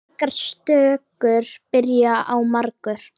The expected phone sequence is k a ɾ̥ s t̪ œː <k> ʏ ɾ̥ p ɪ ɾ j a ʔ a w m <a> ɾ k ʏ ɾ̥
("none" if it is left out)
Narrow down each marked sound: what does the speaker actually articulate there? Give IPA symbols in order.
k, a

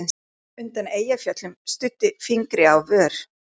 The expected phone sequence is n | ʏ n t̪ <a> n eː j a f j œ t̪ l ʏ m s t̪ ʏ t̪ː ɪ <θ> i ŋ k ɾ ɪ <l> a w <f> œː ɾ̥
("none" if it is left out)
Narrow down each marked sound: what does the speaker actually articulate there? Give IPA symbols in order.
a, f, none, v

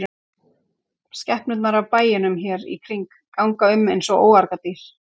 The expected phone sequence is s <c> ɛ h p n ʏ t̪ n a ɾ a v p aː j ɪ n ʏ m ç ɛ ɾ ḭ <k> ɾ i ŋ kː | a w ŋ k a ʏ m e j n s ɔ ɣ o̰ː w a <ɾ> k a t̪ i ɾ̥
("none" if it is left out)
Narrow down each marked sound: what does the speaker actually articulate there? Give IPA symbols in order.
c, kʰ, ɾ

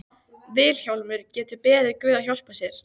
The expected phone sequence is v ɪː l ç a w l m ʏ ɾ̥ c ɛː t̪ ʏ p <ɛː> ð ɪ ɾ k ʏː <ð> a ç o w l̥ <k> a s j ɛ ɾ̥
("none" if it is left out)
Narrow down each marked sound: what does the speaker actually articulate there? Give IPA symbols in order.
ɛː, ð, p

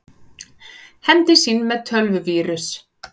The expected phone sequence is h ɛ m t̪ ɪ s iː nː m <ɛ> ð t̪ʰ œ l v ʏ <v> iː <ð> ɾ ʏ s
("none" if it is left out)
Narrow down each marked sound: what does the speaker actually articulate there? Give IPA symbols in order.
ɛ, v, none

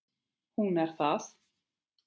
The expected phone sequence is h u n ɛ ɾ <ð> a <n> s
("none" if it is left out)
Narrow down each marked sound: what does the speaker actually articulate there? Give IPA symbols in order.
θ, none

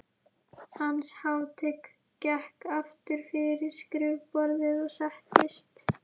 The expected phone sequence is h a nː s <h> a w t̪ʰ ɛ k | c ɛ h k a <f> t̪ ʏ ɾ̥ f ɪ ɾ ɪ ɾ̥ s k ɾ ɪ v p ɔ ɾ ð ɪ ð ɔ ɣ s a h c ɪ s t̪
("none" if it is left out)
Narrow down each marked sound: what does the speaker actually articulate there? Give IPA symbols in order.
h, f

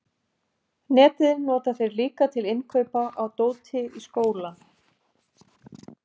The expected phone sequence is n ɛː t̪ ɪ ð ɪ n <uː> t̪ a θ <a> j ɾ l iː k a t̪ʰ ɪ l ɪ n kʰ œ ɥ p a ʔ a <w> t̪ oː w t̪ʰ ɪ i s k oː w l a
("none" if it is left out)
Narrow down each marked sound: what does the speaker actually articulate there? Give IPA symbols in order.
ɔː, e, w

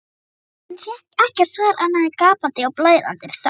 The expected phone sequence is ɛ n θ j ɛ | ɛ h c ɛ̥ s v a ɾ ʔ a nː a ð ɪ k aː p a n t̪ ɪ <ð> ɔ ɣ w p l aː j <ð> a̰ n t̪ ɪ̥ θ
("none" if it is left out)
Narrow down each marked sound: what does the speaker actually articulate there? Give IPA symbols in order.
none, ð

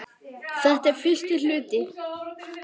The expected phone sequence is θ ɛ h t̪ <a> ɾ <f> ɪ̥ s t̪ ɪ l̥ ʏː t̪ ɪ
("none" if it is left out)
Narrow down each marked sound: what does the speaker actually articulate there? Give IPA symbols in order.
ɛ, f

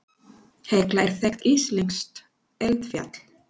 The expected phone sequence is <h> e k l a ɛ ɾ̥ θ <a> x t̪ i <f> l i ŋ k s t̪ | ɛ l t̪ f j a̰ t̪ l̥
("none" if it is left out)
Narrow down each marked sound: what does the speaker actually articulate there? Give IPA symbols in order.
h, ɛ, s

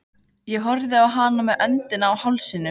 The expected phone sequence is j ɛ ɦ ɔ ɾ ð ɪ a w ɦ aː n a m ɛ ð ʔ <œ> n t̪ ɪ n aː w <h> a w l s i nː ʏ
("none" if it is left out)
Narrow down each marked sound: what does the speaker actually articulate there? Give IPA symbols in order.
œ, h

